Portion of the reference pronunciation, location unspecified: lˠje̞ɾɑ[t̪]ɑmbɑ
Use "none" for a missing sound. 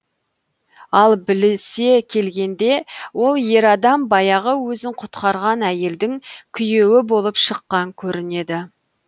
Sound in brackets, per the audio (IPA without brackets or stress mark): d̪